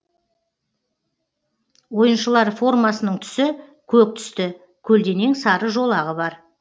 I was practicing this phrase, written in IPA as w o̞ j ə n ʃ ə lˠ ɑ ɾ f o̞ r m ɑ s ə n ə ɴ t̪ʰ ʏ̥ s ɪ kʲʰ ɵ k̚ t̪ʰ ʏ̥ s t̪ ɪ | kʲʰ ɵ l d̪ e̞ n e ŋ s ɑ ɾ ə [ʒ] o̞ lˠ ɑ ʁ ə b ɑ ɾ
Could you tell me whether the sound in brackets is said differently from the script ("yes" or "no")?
no